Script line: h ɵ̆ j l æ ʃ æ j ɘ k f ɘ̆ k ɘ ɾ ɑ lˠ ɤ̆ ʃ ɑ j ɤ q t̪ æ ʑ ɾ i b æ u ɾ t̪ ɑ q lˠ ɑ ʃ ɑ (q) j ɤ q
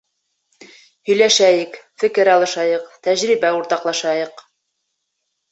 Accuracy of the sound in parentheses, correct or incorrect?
incorrect